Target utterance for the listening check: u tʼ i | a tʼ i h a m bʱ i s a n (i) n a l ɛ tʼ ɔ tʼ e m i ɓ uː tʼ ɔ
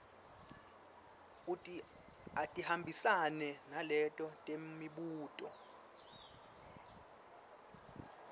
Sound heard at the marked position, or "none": ɛ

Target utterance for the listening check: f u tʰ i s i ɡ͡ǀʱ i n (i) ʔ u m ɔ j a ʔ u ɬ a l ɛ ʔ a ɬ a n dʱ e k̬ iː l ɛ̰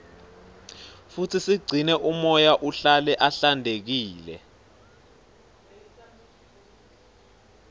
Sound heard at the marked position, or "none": ɛ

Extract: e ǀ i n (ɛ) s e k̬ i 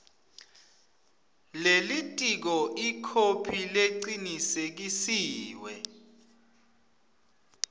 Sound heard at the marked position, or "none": i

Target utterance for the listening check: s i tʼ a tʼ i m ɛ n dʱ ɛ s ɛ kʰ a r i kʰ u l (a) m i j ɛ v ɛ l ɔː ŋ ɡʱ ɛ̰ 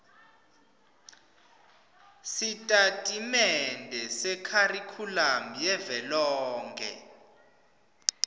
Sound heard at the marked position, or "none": a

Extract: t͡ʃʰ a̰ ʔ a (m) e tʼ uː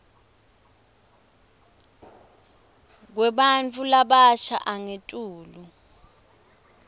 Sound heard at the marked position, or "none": ŋ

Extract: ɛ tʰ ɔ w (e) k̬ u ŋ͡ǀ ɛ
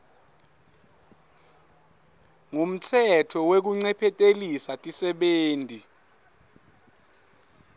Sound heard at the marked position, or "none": e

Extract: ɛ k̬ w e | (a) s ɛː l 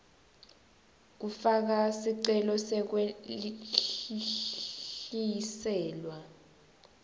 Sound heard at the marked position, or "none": i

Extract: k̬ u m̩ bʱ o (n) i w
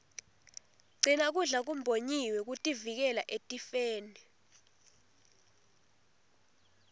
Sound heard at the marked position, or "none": ɲ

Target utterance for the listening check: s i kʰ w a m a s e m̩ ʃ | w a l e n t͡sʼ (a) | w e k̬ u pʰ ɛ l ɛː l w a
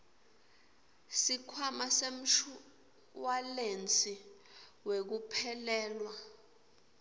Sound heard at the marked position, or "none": i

